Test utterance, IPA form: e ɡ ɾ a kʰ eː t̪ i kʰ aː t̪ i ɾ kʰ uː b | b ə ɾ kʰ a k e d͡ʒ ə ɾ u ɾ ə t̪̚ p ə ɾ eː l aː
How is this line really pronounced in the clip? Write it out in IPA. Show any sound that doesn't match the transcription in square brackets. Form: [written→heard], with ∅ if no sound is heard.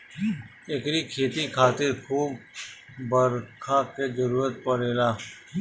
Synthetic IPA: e [ɡ→k] ɾ [a→i] kʰ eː t̪ i kʰ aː t̪ [i→ɪ] ɾ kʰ uː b | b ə ɾ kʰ a k e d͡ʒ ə ɾ [u→uː] ɾ ə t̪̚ p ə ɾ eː l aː